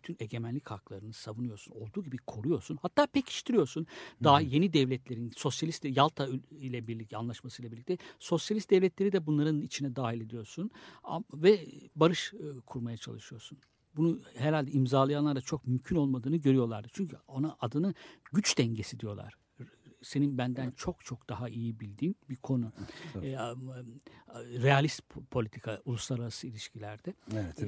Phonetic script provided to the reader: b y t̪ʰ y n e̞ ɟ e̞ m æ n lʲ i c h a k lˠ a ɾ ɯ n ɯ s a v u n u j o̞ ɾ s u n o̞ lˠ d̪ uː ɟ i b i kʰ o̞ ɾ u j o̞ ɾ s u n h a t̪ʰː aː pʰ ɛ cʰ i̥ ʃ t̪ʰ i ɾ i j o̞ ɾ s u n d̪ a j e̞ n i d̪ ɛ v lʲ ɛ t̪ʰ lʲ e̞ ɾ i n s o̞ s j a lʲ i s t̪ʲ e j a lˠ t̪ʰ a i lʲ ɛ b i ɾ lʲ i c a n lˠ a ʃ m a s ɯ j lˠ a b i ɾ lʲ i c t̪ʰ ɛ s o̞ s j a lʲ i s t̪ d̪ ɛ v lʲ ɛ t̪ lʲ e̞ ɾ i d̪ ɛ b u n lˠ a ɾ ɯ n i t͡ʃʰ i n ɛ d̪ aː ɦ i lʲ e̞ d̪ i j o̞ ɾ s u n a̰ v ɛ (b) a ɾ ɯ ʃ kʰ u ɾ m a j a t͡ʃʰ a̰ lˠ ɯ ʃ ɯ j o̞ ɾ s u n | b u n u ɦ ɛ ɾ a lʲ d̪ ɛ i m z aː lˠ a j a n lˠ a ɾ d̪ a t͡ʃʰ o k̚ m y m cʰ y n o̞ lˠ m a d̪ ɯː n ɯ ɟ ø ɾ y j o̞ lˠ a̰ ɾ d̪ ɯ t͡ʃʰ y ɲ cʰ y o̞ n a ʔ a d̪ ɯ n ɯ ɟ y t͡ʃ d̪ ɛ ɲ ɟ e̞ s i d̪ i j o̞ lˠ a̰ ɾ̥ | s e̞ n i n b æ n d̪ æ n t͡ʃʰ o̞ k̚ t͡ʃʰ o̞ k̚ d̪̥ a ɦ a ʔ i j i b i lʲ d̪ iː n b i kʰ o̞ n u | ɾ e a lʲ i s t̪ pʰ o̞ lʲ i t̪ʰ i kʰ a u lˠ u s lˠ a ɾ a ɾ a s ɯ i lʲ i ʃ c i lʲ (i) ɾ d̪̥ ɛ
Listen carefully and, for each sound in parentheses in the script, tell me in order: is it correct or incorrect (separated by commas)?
correct, incorrect